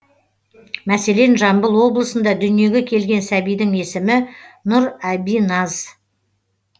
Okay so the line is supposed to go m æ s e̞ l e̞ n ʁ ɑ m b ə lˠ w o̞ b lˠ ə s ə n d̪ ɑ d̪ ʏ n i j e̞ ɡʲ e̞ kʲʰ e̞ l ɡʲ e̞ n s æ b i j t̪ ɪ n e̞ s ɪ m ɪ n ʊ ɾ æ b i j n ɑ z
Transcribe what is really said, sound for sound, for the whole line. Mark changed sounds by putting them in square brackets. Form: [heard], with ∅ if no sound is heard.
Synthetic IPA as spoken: m æ s e̞ l e̞ n [ʒ] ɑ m b ə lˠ w o̞ b lˠ ə s ə n d̪ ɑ d̪ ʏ n i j e̞ ɡʲ e̞ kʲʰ e̞ l ɡʲ e̞ n s æ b i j [d̪] ɪ [ŋ] e̞ s ɪ m ɪ n ʊ ɾ æ b i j n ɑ z